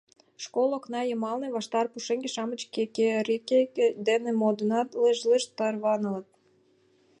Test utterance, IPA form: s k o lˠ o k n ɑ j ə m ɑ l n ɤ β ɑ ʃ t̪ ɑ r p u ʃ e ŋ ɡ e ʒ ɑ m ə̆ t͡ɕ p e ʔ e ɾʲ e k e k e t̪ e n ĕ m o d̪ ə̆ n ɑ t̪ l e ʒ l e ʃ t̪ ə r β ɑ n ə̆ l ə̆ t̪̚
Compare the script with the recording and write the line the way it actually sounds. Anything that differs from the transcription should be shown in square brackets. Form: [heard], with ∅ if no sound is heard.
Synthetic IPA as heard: [ʃ] k o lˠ o k n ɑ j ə m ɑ l n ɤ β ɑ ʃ t̪ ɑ r p u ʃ e ŋ ɡ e [ʃ] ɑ m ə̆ t͡ɕ [k] e [k] e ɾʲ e k e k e [d̪] e n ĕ m o d̪ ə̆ n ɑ t̪ l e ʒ l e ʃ t̪ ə r β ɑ n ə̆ l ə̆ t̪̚